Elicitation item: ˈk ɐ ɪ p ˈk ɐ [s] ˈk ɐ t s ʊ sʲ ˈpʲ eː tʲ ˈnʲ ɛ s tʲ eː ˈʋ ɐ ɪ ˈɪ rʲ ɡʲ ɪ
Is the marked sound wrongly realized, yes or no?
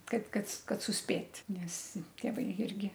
yes